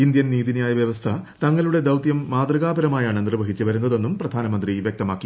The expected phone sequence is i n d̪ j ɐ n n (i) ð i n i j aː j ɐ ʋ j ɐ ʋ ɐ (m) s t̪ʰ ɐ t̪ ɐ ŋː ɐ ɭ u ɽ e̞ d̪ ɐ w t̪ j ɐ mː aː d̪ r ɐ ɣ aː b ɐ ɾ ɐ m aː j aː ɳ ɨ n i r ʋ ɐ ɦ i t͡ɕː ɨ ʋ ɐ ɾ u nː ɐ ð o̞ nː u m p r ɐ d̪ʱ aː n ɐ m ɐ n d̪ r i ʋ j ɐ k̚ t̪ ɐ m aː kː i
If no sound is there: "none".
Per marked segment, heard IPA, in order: iː, none

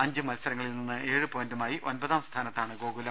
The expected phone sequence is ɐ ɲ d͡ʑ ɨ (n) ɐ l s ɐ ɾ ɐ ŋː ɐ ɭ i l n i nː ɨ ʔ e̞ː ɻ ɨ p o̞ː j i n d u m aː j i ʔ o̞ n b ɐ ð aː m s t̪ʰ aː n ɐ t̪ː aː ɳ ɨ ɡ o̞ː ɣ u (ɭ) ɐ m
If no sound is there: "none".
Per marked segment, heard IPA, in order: m, l

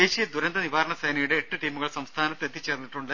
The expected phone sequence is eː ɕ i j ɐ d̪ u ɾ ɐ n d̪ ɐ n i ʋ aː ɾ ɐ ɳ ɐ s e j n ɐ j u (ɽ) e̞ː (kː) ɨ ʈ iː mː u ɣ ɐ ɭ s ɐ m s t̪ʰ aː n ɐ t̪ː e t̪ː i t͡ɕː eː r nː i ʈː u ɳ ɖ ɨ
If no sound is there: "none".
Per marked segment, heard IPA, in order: ɽ, ʈː

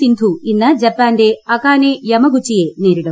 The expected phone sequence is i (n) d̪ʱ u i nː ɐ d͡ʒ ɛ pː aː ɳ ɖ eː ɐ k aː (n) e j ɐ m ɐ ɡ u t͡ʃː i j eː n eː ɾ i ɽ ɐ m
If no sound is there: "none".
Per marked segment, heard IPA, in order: n, n

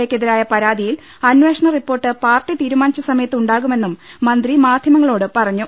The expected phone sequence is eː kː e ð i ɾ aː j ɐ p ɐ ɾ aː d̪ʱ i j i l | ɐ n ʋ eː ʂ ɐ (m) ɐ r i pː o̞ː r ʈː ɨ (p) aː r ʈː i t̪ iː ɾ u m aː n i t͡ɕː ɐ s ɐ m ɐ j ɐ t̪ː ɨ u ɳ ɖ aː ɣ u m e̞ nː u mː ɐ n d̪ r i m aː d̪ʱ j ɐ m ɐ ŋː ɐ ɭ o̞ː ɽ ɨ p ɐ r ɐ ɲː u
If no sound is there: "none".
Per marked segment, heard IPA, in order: ɳ, p

